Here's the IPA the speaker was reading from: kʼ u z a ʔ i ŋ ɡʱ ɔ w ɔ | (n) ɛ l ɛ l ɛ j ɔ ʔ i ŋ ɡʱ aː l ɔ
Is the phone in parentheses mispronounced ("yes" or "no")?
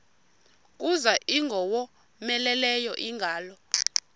yes